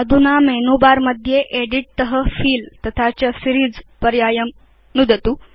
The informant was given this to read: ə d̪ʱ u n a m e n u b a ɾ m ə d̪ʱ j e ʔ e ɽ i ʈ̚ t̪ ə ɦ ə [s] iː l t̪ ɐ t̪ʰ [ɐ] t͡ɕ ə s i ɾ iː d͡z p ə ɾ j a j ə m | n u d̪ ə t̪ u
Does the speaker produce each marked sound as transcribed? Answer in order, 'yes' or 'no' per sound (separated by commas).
no, no